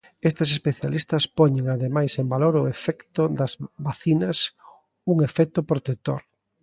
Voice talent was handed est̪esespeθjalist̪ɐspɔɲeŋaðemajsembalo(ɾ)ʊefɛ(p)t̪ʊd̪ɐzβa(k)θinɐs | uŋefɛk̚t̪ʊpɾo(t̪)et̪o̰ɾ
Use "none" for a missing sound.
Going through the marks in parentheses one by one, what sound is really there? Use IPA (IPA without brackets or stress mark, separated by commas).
ɾ, k, none, t̪